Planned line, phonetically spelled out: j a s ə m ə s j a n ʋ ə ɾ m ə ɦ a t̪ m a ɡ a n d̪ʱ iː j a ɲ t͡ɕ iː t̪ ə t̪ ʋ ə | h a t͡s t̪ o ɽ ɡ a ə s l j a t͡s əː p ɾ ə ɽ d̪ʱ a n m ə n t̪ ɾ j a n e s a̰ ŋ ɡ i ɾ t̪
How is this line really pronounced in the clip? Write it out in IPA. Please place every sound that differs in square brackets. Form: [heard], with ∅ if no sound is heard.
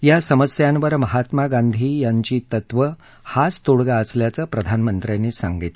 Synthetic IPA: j a s ə m ə s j a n ʋ ə ɾ m ə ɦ a t̪ m a ɡ a n d̪ʱ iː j a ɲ t͡ɕ iː t̪ ə t̪ ʋ ə | h a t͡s t̪ o ɽ ɡ a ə s l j a t͡s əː p ɾ ə [∅] d̪ʱ a n m ə n t̪ ɾ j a n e s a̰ ŋ ɡ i [∅] t̪